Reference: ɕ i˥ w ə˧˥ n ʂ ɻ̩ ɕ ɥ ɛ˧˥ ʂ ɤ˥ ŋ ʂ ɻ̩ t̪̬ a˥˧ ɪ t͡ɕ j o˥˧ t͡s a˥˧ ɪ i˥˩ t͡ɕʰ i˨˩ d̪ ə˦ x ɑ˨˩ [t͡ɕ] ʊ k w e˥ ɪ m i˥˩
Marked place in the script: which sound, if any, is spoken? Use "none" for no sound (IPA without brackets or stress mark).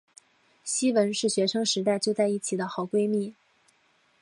none